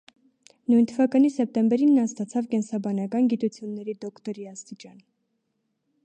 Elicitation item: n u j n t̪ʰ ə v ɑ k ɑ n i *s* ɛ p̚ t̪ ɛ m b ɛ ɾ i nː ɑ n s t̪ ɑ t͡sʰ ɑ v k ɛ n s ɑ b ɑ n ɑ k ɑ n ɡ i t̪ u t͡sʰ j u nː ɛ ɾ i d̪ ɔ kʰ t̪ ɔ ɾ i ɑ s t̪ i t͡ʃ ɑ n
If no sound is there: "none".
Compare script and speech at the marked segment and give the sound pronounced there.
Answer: s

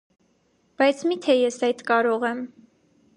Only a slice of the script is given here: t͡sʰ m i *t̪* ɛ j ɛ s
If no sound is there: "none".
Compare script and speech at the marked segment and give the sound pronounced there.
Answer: t̪ʰ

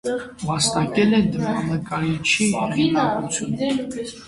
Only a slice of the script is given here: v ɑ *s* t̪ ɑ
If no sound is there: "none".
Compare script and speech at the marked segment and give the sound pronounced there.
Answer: s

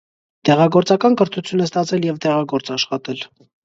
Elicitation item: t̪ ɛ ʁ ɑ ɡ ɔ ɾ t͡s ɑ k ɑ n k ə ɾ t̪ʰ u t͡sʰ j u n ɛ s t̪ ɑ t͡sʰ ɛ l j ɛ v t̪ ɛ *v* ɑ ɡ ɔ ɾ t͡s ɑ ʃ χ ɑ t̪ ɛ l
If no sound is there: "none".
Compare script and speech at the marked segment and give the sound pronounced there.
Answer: ʁ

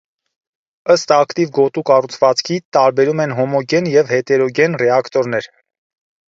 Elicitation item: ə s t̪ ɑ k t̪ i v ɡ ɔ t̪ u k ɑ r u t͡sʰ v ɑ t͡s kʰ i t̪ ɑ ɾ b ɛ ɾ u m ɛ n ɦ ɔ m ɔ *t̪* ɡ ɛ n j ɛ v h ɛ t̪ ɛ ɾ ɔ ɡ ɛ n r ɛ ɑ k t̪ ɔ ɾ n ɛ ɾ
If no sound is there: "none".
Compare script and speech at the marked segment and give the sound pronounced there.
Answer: none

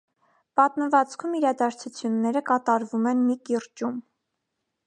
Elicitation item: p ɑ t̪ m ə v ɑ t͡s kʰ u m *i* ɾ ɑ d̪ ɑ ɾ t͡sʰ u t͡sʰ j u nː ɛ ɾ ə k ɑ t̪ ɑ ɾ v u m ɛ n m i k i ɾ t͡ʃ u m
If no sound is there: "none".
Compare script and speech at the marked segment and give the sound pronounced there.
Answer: i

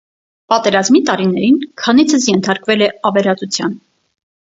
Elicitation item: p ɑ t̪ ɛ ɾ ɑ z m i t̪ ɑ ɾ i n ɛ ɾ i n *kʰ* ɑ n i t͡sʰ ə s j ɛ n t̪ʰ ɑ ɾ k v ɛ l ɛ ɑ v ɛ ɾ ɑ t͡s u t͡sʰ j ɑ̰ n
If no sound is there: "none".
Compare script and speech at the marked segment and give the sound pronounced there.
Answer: kʰ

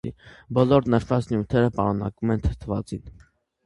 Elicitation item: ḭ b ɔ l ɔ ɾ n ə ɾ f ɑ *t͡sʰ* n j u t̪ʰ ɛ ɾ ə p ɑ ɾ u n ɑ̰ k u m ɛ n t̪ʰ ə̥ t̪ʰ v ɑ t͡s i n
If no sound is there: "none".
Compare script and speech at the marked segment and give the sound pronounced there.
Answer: t͡s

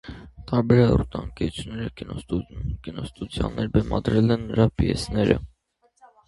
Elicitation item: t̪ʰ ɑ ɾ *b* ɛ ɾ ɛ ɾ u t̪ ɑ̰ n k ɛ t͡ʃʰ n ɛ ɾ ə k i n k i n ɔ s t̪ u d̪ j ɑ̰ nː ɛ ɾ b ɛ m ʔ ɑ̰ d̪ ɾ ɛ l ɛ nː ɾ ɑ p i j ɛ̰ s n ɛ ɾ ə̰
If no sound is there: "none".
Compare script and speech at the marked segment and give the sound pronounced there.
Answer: b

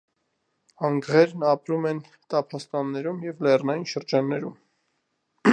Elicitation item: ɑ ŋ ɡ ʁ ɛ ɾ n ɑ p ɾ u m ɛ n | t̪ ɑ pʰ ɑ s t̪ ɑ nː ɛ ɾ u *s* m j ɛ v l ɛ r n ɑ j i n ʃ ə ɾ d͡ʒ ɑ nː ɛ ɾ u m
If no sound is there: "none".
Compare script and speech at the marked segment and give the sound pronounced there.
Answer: none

